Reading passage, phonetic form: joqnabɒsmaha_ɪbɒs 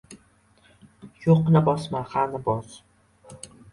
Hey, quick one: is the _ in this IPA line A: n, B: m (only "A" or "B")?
A